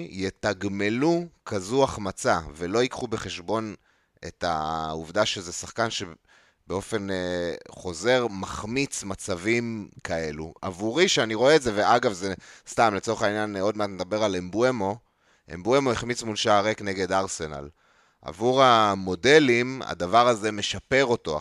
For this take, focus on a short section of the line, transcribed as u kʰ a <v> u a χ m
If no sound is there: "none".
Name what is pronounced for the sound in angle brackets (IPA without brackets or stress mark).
z